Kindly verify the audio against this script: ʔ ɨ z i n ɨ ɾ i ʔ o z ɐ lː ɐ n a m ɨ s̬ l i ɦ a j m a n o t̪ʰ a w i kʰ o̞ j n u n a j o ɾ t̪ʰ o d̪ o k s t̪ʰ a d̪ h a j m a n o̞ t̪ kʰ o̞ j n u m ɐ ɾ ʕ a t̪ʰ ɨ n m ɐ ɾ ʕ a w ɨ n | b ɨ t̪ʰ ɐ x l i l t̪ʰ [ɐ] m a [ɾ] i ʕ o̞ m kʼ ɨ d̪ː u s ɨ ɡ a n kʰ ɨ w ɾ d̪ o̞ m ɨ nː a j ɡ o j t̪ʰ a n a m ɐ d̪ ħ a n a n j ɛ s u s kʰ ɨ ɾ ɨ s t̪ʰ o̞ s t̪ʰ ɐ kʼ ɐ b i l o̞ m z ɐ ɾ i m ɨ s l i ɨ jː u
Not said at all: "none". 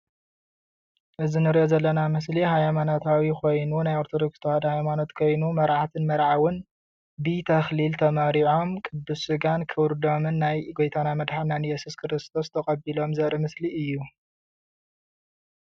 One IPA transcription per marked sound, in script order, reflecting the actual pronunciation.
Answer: ɐ, ɾ

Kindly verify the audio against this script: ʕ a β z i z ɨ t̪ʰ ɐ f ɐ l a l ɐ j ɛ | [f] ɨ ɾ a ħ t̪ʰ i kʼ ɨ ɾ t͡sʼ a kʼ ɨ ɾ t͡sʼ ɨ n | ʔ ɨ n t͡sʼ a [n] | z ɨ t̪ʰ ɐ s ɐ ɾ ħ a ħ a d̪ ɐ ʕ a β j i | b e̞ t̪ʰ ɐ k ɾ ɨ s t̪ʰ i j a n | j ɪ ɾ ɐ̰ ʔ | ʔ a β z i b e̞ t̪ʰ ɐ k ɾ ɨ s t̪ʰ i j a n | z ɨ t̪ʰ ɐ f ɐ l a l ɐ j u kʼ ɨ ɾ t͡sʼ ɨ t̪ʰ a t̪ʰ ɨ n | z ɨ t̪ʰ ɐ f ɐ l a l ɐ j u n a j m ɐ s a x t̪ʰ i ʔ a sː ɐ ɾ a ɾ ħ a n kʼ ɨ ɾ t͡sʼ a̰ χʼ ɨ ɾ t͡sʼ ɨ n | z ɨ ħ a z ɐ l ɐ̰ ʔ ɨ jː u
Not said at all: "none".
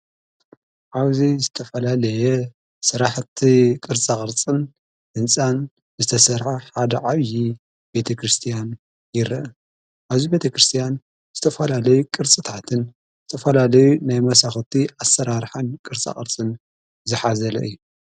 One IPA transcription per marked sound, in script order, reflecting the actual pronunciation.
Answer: s, n

